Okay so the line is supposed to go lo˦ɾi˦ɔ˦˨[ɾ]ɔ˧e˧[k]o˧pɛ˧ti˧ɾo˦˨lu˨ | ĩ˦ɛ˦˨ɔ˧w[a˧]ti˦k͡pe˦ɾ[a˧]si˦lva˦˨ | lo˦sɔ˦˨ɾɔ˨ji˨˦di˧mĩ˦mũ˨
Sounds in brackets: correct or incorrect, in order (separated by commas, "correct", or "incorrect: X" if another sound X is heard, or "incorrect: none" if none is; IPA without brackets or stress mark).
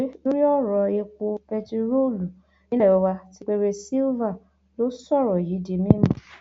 correct, correct, correct, incorrect: e˧